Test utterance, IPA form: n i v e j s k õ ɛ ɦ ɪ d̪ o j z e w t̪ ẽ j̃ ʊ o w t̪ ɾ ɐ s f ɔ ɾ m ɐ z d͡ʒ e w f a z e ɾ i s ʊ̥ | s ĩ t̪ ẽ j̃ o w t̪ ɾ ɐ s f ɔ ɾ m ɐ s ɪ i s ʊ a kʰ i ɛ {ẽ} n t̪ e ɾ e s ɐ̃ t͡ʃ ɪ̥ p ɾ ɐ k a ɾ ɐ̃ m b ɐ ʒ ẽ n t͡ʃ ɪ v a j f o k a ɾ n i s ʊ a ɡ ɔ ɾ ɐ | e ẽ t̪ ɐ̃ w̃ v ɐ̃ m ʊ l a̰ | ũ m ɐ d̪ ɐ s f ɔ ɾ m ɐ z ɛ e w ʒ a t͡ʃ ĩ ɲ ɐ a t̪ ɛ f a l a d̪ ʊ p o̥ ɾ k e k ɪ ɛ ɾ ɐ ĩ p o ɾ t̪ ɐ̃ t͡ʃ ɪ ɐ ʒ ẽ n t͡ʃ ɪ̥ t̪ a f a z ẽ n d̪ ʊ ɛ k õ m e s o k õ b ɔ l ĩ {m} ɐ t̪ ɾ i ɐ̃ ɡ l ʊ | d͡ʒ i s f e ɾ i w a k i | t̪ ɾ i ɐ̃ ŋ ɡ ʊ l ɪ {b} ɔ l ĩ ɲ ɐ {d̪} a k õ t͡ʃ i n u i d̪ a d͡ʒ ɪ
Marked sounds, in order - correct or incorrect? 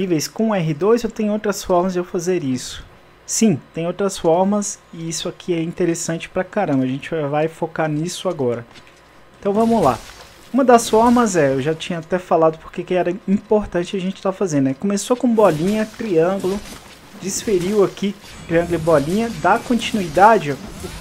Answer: incorrect: ĩ, incorrect: ɲ, correct, correct

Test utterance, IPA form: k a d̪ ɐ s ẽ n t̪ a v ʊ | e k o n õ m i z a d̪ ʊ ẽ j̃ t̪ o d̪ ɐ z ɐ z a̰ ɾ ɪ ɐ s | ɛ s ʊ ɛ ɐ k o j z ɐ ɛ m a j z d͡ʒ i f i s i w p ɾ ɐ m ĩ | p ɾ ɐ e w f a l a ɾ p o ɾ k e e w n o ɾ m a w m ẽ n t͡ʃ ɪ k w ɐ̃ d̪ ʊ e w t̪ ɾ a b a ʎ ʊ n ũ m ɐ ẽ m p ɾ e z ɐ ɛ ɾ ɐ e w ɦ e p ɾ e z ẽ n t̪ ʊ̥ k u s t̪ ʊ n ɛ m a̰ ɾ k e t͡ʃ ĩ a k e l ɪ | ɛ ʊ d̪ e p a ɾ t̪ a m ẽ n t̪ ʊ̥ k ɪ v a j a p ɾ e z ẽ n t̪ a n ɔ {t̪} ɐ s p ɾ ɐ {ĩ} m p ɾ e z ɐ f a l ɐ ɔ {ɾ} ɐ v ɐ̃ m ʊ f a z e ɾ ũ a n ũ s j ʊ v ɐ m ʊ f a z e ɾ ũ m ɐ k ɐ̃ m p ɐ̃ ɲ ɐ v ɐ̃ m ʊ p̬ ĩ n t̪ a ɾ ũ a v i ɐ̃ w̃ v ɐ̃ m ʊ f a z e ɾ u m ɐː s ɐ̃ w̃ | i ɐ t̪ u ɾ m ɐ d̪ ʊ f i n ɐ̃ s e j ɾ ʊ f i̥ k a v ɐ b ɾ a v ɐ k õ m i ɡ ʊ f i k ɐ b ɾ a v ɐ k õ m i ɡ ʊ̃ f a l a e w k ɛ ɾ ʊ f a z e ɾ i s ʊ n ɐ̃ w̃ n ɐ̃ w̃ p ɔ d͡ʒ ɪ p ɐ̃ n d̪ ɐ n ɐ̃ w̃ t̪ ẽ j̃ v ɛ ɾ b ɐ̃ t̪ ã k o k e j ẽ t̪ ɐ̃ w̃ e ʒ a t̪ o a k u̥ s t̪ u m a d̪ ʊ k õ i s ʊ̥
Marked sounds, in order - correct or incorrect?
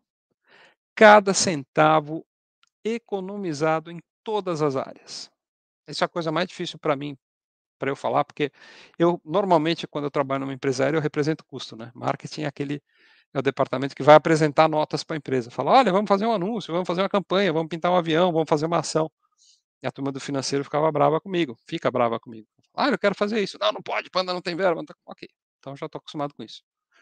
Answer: correct, incorrect: ẽ, incorrect: ʎ

